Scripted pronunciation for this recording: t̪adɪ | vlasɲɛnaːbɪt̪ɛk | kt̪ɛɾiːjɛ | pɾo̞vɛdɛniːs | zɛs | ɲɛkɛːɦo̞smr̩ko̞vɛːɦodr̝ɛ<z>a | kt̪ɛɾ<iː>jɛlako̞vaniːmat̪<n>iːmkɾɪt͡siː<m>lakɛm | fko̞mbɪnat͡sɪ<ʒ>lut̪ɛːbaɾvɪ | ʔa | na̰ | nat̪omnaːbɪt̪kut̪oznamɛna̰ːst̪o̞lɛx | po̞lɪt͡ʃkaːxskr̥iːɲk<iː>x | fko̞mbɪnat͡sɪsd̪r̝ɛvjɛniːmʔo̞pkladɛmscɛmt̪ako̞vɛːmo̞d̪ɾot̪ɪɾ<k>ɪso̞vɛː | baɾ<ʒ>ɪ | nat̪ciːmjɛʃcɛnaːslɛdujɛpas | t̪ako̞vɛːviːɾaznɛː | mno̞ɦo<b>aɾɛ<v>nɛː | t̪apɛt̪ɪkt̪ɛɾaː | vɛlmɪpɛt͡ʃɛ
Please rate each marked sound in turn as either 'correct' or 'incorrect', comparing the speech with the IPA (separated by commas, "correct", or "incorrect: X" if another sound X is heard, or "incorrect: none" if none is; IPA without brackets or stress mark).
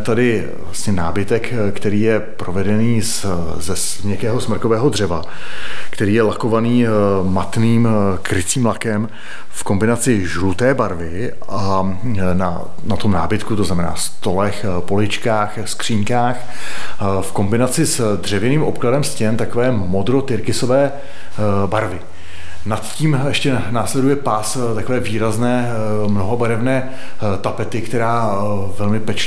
incorrect: v, correct, correct, correct, correct, incorrect: aː, correct, incorrect: v, correct, correct